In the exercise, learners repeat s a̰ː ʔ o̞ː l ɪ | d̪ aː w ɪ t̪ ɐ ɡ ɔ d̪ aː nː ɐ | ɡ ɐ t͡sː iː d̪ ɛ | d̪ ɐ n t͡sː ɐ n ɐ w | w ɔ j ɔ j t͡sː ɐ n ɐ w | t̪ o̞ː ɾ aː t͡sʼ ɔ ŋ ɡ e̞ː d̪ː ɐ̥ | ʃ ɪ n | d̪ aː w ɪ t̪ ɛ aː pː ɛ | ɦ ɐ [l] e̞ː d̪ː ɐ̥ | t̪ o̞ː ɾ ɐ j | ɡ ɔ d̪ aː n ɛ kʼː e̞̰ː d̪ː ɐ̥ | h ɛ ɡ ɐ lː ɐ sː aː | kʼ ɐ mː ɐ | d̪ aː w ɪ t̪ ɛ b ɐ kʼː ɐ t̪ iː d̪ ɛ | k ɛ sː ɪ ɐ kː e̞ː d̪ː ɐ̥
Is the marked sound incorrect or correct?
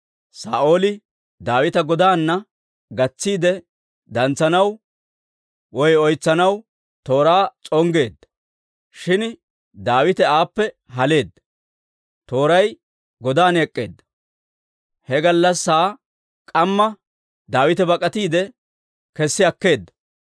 correct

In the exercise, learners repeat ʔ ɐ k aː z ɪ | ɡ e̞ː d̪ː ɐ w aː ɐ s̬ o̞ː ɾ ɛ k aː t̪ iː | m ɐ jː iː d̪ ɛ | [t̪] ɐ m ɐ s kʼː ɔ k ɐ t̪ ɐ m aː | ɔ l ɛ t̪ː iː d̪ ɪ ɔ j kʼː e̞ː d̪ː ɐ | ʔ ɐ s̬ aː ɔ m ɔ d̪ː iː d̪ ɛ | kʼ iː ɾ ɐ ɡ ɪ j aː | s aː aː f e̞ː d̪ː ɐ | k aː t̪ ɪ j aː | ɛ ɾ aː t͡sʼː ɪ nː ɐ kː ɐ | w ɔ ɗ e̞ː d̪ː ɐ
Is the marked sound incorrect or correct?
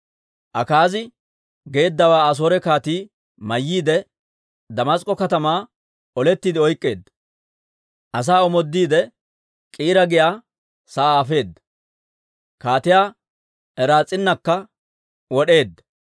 incorrect: d̪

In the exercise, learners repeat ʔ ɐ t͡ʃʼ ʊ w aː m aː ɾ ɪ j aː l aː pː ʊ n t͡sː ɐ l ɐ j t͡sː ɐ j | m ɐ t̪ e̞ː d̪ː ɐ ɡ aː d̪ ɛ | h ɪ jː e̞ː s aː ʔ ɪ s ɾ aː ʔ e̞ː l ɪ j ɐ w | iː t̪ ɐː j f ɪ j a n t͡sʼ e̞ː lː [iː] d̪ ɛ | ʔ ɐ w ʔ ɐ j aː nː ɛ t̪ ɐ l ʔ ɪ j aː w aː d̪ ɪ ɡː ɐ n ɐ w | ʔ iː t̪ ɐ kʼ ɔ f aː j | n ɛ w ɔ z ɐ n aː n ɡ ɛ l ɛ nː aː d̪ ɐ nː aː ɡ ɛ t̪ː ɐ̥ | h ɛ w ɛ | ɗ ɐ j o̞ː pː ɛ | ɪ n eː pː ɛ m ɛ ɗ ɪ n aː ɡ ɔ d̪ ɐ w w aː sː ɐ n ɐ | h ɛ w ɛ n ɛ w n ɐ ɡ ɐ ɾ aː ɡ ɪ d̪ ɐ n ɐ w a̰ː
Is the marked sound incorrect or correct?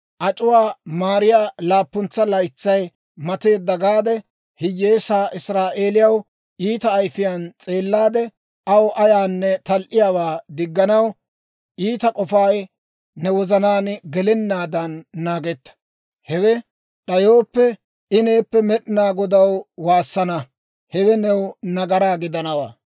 incorrect: aː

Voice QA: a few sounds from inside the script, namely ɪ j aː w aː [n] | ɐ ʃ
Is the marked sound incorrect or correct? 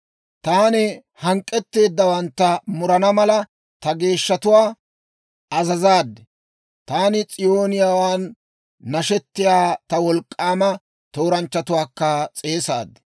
incorrect: nː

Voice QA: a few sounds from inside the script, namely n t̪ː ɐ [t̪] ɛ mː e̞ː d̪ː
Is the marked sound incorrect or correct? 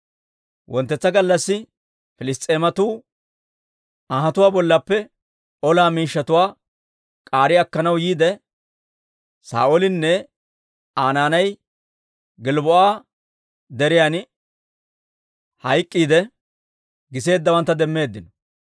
incorrect: d̪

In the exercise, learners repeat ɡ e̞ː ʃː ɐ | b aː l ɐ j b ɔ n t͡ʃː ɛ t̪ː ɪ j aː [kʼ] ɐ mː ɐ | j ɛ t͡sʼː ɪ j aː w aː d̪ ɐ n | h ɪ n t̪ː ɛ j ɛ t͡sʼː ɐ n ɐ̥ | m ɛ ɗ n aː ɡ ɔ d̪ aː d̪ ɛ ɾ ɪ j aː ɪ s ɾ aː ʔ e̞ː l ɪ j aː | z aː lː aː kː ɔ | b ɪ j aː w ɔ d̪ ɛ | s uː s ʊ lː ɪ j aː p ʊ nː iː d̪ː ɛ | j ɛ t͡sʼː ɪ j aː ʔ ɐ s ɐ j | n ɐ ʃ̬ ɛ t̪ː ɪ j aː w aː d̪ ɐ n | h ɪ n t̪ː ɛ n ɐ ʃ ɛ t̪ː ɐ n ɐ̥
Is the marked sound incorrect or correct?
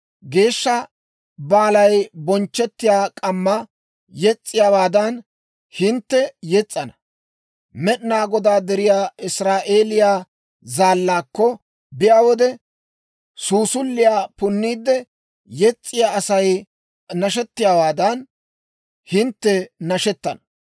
correct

